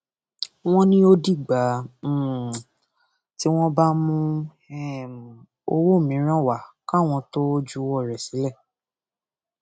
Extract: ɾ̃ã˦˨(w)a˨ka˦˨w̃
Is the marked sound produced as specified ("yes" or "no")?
yes